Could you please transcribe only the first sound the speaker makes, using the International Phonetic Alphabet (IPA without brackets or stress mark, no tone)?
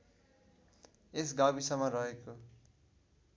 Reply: e